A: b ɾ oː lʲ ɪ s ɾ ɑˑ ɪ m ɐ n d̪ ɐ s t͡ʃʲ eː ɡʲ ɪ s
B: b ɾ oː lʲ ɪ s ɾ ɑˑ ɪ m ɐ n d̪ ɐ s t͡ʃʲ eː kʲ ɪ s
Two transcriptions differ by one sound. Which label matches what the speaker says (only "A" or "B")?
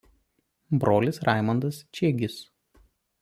A